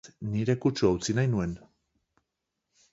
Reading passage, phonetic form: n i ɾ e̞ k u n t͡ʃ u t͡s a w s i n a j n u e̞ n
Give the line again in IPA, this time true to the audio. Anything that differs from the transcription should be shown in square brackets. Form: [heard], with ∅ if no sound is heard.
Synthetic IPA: n i ɾ e̞ k u [∅] t͡ʃ u [∅] a w [t͡s] i n a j n u e̞ n